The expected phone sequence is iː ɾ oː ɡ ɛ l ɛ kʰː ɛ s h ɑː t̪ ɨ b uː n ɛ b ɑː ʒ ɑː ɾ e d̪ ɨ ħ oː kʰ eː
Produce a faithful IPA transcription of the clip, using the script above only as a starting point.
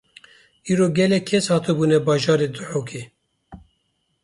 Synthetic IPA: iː ɾ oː ɡ ɛ l ɛ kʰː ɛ s h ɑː t̪ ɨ b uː n ɛ b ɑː ʒ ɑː ɾ e d̪ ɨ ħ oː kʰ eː

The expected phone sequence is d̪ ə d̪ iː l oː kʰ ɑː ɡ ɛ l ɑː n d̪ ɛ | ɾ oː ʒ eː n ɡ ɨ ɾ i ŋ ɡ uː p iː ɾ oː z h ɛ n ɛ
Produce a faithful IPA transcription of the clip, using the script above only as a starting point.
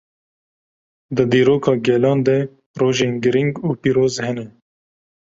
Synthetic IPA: d̪ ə d̪ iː ɾ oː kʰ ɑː ɡ ɛ l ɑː n d̪ ɛ | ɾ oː ʒ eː n ɡ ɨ ɾ i ŋ ɡ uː p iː ɾ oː z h ɛ n ɛ

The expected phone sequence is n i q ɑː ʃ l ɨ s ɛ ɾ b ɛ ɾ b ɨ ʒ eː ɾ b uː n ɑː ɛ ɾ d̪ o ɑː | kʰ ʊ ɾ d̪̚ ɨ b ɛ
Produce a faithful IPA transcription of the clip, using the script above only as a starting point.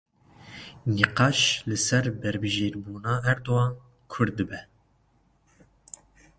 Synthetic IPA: n i q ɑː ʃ l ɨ s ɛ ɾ b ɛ ɾ b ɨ ʒ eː ɾ b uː n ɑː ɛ ɾ d̪ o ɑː | kʰ ʊ ɾ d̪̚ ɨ b ɛ

